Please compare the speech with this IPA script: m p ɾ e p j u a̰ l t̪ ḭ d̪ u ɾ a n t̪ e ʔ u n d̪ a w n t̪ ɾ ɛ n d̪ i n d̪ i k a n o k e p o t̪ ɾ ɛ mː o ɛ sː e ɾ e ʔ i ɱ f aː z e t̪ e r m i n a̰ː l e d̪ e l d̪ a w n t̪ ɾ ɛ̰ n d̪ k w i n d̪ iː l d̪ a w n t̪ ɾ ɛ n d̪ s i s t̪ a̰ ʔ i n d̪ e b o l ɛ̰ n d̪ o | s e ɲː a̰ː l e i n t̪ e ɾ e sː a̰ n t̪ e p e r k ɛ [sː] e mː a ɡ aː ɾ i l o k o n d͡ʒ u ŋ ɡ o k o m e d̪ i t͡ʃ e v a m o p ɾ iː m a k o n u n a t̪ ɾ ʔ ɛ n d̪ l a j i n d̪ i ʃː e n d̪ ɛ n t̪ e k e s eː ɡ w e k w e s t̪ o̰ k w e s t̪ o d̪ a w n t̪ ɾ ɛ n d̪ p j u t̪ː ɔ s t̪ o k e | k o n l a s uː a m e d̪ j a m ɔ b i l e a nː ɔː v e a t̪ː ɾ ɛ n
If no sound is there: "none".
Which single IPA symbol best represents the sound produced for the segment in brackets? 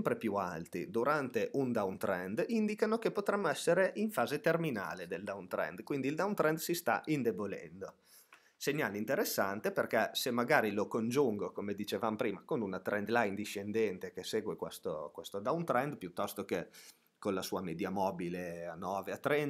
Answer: s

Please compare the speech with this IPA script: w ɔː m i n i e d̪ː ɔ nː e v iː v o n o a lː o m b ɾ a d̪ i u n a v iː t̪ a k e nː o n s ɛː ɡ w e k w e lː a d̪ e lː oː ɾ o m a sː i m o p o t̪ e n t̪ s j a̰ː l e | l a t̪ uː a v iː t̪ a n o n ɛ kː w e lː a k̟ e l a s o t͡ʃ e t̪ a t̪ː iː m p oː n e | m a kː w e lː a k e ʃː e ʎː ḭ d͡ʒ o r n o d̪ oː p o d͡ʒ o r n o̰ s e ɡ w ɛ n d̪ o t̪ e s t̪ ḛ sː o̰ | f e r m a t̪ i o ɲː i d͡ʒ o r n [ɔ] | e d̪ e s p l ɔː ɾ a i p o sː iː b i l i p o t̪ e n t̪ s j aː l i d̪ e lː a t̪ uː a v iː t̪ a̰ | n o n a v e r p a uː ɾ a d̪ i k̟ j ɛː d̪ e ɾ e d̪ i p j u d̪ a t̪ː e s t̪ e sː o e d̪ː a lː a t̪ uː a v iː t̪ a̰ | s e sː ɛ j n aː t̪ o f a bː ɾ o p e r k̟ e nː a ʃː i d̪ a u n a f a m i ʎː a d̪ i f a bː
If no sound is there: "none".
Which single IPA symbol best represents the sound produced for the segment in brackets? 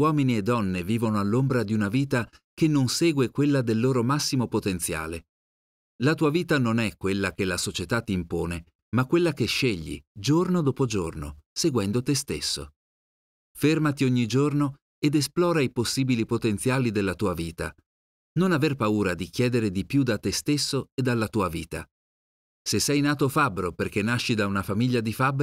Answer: o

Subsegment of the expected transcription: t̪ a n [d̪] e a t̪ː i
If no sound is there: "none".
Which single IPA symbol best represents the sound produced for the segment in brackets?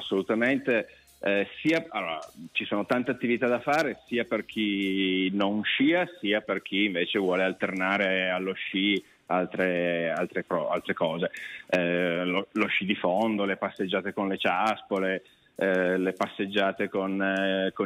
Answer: t̪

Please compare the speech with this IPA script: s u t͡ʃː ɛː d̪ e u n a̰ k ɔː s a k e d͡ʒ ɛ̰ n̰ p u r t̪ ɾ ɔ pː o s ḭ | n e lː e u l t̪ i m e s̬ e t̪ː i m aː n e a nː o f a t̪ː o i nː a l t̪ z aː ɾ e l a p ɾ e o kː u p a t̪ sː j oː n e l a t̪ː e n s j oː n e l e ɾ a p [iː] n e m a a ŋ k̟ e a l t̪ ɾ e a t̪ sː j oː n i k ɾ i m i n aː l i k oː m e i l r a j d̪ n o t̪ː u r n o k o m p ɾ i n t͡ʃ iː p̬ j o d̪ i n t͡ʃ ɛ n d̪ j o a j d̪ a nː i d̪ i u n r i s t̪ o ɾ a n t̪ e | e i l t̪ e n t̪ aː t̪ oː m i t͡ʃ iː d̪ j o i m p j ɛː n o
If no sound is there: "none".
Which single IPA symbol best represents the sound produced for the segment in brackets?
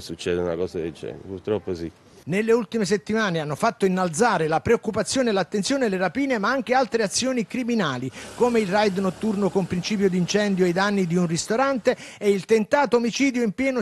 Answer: iː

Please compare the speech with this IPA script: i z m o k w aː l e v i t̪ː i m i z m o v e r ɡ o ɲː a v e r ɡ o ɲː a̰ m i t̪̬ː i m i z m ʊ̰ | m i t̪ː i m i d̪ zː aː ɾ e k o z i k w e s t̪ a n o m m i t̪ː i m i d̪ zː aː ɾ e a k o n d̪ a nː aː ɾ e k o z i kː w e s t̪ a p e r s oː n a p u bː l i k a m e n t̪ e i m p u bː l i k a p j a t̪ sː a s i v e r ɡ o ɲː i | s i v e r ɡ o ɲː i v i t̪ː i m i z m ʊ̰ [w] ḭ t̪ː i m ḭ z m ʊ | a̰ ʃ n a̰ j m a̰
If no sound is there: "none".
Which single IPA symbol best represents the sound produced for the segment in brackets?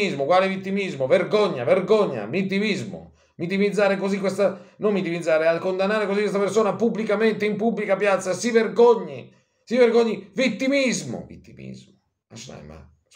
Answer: v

